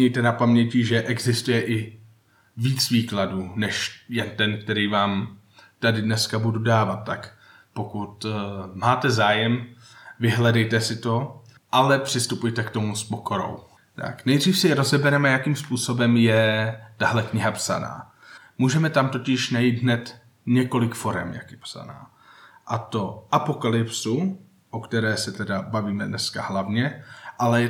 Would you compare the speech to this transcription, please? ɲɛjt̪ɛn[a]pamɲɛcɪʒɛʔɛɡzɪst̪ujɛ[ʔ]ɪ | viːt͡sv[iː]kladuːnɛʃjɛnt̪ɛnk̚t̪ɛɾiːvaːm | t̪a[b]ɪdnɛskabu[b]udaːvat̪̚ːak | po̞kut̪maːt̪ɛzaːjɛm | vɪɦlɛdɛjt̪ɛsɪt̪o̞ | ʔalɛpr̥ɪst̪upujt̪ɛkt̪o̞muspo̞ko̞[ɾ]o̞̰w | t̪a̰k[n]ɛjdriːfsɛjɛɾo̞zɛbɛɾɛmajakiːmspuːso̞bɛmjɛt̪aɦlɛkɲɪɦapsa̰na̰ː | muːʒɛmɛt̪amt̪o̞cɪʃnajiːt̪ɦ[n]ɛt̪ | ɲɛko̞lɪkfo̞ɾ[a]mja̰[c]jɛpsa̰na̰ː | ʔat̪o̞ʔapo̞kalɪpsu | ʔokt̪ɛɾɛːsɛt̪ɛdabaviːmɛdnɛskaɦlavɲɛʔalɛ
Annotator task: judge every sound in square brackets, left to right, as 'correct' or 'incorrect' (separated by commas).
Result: correct, correct, correct, incorrect, incorrect, correct, correct, correct, incorrect, incorrect